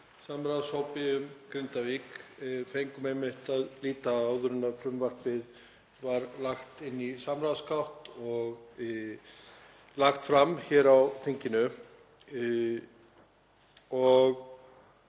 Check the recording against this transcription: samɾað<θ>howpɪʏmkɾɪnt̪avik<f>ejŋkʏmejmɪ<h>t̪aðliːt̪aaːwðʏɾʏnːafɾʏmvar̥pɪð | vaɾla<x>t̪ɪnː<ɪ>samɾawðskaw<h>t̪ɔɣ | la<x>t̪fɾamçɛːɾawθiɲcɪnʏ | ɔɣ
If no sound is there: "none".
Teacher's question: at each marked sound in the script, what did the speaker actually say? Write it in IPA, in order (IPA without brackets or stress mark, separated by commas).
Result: s, f, h, x, i, h, x